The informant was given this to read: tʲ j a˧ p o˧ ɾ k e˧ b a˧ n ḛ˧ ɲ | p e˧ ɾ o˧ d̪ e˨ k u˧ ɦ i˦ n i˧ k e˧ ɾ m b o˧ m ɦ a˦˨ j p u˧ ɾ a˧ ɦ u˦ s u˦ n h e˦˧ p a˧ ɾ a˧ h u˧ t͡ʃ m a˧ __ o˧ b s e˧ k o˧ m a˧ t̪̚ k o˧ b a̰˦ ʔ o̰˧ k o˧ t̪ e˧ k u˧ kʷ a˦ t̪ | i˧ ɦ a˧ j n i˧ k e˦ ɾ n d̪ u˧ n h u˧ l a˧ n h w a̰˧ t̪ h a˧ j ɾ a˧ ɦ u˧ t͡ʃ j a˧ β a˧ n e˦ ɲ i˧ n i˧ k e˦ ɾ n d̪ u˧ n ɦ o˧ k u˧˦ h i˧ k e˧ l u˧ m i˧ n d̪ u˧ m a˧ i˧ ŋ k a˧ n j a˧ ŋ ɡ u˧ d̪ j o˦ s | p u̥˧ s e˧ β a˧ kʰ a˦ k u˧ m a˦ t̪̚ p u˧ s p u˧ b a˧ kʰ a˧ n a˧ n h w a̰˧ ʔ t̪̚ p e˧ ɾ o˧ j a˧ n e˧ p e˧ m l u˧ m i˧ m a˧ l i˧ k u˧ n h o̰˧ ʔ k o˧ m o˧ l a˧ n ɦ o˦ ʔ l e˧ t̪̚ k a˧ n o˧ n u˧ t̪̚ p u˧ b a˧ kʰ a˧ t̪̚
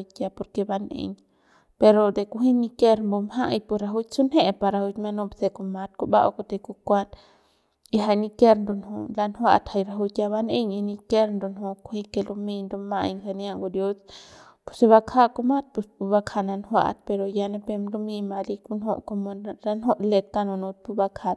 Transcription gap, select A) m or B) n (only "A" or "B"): B